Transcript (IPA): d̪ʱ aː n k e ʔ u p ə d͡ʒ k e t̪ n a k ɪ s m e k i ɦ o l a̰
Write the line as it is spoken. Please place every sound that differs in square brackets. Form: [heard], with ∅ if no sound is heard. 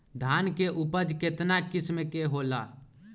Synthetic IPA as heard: d̪ʱ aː n k e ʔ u p ə d͡ʒ k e t̪ n a k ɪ s m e k [e] ɦ o l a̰